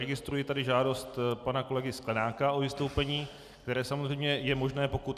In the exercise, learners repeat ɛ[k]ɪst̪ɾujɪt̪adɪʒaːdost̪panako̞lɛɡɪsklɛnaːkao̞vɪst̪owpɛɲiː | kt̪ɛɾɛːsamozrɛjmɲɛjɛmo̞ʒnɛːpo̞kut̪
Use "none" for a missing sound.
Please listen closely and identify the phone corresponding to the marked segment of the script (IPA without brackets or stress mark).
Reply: ɡ